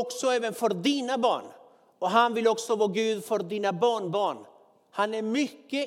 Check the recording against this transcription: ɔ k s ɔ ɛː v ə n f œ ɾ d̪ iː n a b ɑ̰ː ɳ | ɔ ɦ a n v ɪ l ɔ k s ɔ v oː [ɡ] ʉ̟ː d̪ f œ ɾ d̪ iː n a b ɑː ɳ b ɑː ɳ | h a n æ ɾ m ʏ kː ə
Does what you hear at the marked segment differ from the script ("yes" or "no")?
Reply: no